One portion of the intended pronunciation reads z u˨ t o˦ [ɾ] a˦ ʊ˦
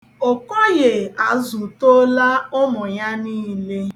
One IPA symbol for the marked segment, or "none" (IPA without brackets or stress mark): l